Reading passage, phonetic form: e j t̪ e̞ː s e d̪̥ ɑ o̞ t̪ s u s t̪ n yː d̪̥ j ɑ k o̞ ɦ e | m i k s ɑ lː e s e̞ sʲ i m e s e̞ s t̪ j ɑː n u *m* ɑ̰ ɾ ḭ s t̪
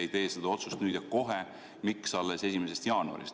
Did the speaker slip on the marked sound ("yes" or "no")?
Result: yes